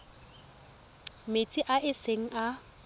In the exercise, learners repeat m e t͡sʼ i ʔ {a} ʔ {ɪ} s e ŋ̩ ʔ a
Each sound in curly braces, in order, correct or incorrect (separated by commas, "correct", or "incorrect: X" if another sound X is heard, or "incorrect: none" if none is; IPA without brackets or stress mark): correct, correct